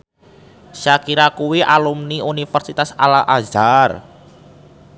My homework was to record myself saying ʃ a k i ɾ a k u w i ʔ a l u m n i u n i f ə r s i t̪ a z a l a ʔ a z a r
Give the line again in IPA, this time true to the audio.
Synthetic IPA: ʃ a k i ɾ a k u w i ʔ a l u m n i u n i f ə r s i t̪ a s a l a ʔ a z a r